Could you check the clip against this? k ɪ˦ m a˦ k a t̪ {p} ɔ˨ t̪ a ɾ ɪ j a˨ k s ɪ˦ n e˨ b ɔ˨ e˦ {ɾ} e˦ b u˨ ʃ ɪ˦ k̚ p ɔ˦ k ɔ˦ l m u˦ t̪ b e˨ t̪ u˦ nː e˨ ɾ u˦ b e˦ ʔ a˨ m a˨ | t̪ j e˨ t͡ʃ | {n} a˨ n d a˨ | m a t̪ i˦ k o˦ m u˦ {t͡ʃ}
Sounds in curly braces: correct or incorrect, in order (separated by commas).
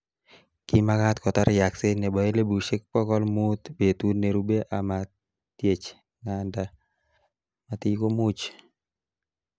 incorrect, incorrect, incorrect, correct